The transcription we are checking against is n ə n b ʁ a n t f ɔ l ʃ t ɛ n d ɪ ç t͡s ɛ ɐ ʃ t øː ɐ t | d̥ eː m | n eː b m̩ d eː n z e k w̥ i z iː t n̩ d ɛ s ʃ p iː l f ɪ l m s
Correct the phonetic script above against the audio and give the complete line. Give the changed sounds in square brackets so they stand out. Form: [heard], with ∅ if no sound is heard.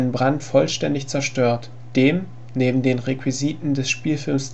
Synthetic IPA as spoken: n ə n b ʁ a n t f ɔ l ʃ t ɛ n d ɪ ç t͡s ɛ ɐ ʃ t øː ɐ t | d̥ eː m | n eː b m̩ d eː n [ʁ] e k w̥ i z iː t n̩ d ɛ s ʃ p iː l f ɪ l m s